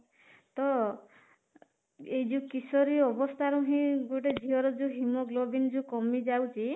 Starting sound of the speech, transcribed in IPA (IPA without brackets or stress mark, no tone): t̪